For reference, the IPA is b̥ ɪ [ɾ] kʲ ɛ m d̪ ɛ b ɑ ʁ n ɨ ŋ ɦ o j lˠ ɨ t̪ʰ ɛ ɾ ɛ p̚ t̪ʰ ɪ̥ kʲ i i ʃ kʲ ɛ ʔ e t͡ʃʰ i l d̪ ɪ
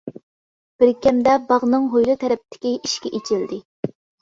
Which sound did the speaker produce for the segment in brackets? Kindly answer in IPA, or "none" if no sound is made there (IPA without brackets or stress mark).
ɾ